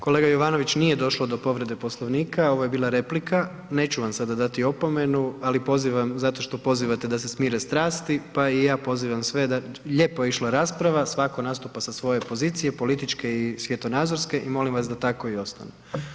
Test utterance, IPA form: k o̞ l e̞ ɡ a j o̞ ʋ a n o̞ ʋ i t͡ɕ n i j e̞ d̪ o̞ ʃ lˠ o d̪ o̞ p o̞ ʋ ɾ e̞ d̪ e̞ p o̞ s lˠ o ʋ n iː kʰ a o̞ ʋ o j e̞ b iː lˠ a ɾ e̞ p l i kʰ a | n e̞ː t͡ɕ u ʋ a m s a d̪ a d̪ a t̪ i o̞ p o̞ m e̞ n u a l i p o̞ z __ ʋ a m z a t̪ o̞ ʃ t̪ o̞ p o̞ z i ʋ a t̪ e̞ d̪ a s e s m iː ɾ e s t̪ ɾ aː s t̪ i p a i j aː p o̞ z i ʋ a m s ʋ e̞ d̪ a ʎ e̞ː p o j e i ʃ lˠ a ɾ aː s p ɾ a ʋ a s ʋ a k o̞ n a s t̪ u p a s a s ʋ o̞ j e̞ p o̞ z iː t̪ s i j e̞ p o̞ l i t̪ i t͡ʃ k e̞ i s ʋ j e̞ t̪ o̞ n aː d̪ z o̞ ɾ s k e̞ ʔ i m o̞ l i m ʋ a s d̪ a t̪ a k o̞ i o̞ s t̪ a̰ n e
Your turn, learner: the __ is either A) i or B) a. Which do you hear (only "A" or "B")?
A